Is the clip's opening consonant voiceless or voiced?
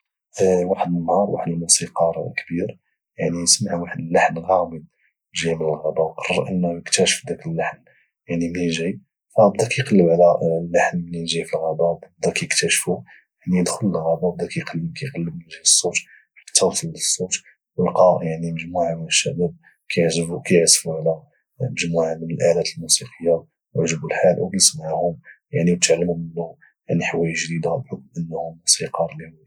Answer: voiced